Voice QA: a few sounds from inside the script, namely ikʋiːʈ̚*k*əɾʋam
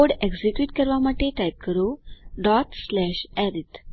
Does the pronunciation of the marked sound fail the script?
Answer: no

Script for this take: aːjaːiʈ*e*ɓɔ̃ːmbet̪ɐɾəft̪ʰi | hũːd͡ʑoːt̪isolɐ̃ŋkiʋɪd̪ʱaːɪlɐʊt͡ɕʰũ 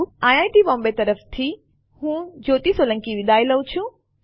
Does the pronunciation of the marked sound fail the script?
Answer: yes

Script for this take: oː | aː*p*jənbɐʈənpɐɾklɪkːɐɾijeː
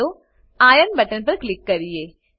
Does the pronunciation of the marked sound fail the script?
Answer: yes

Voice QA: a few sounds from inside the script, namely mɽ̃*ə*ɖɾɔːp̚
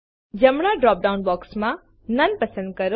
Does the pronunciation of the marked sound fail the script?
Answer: yes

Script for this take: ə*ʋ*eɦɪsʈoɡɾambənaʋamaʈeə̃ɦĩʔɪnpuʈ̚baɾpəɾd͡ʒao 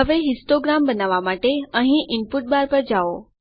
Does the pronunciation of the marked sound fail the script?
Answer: no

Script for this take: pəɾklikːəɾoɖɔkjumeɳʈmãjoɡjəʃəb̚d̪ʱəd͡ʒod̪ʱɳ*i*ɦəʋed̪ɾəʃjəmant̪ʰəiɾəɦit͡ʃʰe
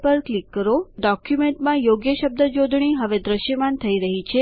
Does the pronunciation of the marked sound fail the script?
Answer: no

